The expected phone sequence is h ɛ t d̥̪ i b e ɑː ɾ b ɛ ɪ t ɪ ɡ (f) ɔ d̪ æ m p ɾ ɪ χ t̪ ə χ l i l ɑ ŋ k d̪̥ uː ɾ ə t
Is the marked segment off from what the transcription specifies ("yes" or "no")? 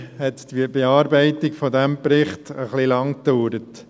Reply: no